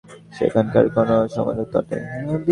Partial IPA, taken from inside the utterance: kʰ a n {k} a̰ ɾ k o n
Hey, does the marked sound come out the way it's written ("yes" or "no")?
yes